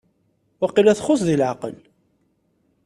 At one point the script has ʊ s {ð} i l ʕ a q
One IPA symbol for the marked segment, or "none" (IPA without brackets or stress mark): ð